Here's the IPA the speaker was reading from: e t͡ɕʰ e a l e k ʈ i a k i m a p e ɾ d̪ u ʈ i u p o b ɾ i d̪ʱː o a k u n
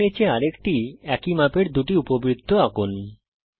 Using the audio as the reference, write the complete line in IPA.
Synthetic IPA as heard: e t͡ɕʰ e a ɾ e k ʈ i ɛ k i m a p e ɾ d̪ u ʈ i u p o b ɾ i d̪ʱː o a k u n